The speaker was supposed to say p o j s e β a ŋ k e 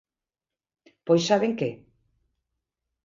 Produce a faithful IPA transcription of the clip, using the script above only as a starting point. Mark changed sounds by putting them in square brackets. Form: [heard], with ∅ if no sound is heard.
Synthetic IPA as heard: p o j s [a] β [e] ŋ k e

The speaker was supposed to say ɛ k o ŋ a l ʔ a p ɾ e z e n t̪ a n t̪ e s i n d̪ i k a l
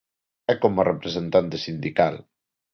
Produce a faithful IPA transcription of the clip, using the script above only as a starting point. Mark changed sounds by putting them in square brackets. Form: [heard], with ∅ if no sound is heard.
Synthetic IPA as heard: ɛ k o [m] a [r] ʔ [e] p ɾ e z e n t̪ a n t̪ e s i n d̪ i k a l

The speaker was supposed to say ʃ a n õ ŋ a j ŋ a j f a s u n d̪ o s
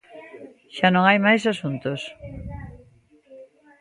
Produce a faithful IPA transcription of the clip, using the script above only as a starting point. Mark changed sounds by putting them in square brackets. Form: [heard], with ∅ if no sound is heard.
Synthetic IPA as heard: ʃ a n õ ŋ a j [m] a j [s] a s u n [t̪] o s

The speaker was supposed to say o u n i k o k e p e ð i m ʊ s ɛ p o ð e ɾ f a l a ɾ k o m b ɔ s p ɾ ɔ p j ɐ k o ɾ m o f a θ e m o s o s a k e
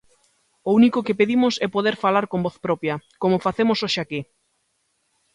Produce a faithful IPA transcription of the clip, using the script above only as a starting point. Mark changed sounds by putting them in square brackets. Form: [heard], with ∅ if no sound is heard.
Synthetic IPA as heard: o u n i k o k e p e ð i m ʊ s ɛ p o ð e ɾ f a l a ɾ k o m b ɔ [θ] p ɾ ɔ p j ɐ k o [∅] m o f a θ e m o s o [ʃ] a k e

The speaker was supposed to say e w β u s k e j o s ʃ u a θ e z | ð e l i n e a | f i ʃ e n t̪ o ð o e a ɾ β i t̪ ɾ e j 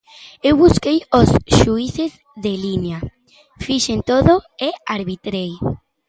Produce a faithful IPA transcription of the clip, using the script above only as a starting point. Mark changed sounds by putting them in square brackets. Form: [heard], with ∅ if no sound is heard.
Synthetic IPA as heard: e w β u s k e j o s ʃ u [i] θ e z | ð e l i n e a | f i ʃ e n t̪ o ð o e a ɾ β i t̪ ɾ e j

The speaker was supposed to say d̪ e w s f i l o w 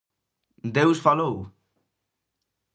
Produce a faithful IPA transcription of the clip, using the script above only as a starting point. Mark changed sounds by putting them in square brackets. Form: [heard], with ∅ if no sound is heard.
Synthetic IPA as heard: d̪ e w s f [a] l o w

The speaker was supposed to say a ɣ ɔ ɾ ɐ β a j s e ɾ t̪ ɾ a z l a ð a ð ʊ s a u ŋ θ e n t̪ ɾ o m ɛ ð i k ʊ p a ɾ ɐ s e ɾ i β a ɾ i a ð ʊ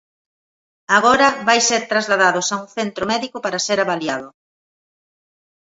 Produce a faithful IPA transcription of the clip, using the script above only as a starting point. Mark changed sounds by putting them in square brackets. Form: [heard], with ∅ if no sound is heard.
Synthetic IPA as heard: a ɣ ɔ ɾ ɐ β a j s e ɾ t̪ ɾ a z l a ð a ð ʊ s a u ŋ θ e n t̪ ɾ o m ɛ ð i k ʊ p a ɾ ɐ s e ɾ [a] β a [l] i a ð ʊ

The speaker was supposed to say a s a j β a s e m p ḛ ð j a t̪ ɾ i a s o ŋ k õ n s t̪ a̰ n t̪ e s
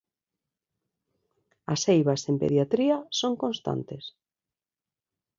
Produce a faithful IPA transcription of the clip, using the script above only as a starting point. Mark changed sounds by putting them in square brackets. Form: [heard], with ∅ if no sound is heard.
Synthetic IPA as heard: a s [e] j β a s e m p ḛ ð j a t̪ ɾ i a s o ŋ k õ n s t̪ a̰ n t̪ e s

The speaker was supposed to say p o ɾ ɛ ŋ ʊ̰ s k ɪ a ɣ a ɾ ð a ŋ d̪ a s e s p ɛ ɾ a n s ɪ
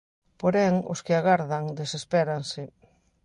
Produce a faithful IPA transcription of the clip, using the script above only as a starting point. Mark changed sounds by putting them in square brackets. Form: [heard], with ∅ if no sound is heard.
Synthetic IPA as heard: p o ɾ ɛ ŋ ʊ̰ s k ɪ a ɣ a ɾ ð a ŋ d̪ [e] s e s p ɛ ɾ a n s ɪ

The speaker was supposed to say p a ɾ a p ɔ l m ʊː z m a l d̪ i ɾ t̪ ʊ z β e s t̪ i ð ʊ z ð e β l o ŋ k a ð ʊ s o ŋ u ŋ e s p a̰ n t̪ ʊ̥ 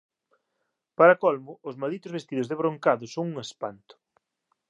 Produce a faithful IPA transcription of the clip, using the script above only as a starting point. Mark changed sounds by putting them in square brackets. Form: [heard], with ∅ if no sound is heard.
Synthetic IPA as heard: p a ɾ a [k] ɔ l m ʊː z m a l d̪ i [∅] t̪ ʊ z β e s t̪ i ð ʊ z ð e β [ɾ] o ŋ k a ð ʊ s o ŋ u ŋ e s p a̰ n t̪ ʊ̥

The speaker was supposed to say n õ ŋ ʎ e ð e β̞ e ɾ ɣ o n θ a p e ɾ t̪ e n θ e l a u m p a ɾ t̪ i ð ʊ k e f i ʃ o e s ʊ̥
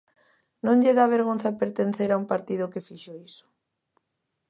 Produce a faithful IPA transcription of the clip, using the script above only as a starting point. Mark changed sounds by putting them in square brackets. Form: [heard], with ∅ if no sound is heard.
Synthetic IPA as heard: n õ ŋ ʎ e ð [a] β̞ e ɾ ɣ o n θ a p e ɾ t̪ e n θ e [ɾ] a u m p a ɾ t̪ i ð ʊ k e f i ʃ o [i] s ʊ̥

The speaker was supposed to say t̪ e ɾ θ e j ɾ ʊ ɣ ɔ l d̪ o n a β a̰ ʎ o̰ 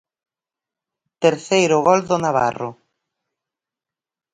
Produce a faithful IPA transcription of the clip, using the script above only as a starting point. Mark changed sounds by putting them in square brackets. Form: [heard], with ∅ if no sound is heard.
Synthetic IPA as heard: t̪ e ɾ θ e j ɾ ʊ ɣ ɔ l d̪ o n a β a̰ [r] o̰

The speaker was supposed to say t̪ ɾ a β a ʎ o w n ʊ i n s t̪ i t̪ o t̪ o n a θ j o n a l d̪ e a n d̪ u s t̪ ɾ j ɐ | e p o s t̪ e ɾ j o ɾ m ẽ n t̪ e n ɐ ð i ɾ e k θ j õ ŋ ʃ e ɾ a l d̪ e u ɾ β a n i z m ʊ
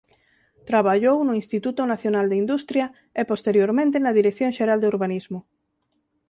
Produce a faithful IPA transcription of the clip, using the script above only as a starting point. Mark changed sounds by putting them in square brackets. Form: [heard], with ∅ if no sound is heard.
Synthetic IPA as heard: t̪ ɾ a β a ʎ o w n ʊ i n s t̪ i t̪ [u] t̪ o n a θ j o n a l d̪ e [i] n d̪ u s t̪ ɾ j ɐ | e p o s t̪ e ɾ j o ɾ m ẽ n t̪ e n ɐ ð i ɾ e k θ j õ ŋ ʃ e ɾ a l d̪ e u ɾ β a n i z m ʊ

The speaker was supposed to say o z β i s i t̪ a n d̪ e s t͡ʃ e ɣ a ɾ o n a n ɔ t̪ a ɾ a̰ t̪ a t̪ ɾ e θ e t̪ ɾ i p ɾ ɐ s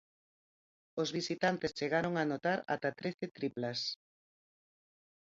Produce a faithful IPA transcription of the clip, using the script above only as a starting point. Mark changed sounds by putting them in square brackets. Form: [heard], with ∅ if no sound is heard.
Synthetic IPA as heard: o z β i s i t̪ a n [t̪] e s t͡ʃ e ɣ a ɾ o [ŋ] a n [o] t̪ a ɾ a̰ t̪ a t̪ ɾ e θ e t̪ ɾ i p [l] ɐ s

